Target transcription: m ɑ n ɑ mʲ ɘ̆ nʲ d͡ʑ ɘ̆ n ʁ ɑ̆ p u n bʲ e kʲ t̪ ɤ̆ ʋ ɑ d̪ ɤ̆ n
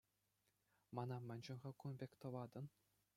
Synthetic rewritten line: m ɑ n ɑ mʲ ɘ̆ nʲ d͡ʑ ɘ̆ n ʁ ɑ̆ k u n bʲ e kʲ t̪ ɤ̆ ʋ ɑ d̪ ɤ̆ n